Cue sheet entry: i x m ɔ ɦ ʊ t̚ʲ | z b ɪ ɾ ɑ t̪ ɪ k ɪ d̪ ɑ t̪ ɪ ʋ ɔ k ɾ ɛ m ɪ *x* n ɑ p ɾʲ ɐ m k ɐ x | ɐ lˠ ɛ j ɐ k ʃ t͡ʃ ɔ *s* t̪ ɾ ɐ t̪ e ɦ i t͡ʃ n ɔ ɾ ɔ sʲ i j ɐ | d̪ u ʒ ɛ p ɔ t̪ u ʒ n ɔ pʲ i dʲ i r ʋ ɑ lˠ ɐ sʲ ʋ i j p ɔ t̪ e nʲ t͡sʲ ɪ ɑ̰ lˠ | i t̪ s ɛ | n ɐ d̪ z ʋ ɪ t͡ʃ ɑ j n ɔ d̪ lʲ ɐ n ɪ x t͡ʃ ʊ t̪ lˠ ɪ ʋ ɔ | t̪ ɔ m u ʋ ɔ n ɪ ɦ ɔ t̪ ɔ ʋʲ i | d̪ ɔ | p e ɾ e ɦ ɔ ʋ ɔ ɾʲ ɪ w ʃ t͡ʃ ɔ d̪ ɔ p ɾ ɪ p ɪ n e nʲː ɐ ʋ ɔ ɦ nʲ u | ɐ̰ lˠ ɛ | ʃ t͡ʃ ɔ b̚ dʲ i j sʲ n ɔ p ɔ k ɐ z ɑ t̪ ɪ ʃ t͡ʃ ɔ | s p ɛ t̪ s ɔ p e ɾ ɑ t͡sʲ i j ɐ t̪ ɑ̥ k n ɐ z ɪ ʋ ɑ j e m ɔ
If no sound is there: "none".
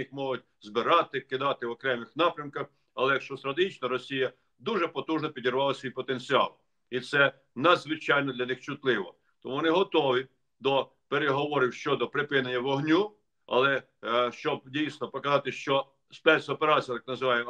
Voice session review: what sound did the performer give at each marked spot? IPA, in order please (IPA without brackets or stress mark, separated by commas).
x, s